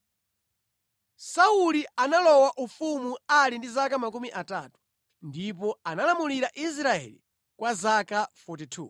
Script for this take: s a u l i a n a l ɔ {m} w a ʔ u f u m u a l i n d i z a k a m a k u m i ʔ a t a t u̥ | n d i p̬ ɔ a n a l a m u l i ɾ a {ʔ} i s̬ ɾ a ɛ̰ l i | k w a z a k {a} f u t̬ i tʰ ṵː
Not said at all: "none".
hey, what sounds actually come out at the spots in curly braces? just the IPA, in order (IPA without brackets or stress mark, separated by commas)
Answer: none, ʔ, a